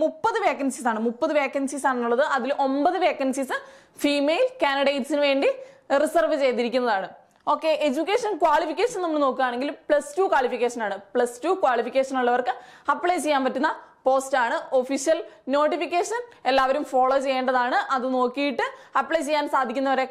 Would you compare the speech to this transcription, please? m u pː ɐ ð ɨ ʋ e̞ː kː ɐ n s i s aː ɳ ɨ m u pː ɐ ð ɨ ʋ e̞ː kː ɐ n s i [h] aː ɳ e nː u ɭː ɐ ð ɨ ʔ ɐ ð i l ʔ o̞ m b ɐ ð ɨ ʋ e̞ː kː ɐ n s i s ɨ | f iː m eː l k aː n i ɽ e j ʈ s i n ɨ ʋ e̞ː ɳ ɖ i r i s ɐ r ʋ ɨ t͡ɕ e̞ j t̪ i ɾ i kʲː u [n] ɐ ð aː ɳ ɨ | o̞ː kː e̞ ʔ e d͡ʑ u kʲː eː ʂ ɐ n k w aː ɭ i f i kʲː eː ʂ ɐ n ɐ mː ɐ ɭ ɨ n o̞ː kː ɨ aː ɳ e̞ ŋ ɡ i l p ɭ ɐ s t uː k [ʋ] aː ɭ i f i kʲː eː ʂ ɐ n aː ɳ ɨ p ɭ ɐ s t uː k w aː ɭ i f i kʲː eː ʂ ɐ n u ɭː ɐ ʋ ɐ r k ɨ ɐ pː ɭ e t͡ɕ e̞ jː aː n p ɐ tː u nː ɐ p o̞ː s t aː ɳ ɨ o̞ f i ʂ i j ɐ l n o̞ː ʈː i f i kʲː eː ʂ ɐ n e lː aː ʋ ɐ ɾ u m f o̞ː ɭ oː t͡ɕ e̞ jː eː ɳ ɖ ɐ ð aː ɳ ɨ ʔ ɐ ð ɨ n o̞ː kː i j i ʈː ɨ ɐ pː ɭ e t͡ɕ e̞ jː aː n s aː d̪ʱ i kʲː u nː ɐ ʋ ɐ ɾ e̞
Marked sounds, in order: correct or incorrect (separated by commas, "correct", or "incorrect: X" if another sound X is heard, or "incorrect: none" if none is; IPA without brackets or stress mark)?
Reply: incorrect: s, incorrect: nː, incorrect: w